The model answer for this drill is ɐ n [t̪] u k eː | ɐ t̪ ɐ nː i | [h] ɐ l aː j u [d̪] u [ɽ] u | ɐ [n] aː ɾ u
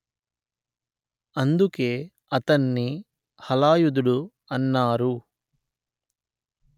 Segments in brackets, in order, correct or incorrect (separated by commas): incorrect, correct, correct, correct, incorrect